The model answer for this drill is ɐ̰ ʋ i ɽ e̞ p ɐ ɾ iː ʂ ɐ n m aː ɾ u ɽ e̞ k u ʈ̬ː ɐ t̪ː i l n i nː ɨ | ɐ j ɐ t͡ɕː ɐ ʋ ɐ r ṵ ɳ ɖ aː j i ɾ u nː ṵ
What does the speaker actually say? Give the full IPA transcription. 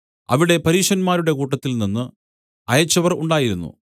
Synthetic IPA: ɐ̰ ʋ i ɽ e̞ p ɐ ɾ iː ʂ ɐ n m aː ɾ u ɽ e̞ k uː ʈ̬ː ɐ t̪ː i l n i nː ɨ | ɐ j ɐ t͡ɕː ɐ ʋ ɐ r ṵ ɳ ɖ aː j i ɾ u nː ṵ